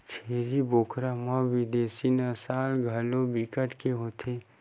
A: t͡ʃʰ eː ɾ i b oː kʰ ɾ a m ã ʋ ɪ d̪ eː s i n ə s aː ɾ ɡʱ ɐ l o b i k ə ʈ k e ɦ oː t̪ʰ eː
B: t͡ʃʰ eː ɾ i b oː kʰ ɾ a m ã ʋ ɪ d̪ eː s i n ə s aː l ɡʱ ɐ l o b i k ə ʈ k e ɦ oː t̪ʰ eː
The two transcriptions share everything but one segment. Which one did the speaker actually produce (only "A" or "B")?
B